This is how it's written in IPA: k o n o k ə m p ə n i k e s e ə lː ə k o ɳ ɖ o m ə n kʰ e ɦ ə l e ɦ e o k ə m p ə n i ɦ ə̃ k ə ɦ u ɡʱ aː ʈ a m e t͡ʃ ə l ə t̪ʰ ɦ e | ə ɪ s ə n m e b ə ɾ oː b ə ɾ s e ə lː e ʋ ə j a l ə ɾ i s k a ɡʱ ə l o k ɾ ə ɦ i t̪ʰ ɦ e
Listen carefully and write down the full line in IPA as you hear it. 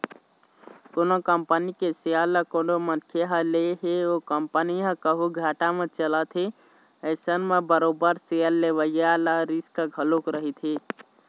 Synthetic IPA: k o n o k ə m p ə n i k e s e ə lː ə k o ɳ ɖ o m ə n kʰ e ɦ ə l e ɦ e o k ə m p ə n i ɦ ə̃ k ə ɦ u ɡʱ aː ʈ a m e t͡ʃ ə l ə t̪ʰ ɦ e | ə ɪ s ə n m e b ə ɾ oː b ə ɾ s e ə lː e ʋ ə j a l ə ɾ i s k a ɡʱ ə l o k ɾ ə ɦ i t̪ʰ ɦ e